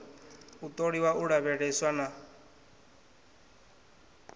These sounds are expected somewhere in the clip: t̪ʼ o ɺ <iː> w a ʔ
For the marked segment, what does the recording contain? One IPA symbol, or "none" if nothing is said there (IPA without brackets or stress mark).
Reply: i